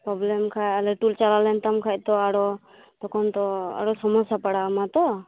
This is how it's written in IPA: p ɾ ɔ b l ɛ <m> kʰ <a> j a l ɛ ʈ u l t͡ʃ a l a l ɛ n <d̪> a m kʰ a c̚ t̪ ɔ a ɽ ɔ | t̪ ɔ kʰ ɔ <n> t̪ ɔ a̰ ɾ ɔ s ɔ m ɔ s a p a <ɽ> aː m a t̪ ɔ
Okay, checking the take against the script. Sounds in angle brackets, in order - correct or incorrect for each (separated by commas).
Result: correct, correct, incorrect, correct, correct